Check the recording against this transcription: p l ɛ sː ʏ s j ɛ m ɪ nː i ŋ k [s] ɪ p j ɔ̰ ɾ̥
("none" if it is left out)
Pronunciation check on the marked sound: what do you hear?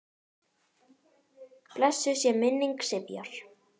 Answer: s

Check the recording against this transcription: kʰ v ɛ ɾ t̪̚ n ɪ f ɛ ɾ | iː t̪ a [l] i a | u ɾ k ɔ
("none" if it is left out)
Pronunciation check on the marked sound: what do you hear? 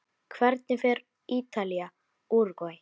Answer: l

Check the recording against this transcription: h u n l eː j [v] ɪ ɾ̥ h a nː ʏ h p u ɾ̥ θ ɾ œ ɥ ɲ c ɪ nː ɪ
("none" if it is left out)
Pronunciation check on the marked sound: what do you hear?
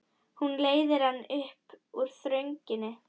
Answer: ð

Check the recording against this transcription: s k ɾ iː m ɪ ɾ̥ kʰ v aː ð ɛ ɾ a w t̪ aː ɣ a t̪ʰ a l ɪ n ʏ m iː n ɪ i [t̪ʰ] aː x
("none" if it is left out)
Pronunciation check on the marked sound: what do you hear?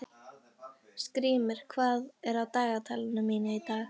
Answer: t̪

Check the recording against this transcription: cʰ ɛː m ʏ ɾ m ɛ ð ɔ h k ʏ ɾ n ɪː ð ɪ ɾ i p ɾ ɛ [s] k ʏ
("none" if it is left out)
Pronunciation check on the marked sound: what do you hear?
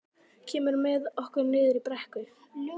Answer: h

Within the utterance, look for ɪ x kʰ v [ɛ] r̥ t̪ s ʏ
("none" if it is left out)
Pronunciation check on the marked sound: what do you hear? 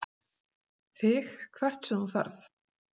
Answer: ɛ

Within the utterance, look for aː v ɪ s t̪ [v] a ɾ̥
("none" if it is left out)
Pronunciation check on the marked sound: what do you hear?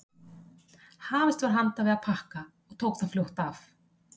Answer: v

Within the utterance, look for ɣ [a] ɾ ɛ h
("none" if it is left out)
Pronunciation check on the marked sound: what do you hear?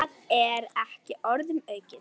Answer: ɛ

